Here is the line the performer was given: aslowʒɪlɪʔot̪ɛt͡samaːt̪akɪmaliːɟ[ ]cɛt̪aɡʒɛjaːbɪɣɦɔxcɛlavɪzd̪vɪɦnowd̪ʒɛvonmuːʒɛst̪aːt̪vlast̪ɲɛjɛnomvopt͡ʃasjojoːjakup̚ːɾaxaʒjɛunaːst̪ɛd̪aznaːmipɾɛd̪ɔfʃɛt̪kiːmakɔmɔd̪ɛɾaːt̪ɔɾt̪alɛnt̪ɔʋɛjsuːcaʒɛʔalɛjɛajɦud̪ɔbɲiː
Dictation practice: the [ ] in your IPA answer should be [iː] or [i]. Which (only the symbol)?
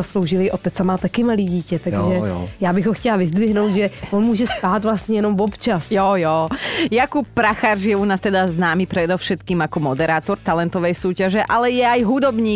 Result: iː